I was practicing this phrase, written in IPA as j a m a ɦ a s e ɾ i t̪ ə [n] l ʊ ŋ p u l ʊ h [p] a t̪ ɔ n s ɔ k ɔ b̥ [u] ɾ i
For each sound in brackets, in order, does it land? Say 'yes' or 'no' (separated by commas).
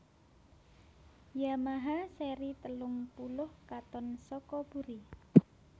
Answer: no, no, yes